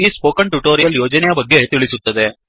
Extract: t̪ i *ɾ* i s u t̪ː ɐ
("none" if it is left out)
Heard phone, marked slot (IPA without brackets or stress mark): ɭ